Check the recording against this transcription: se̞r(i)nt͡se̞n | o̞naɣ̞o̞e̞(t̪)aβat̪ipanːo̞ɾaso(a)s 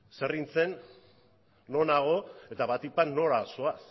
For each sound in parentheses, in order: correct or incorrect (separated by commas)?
correct, correct, correct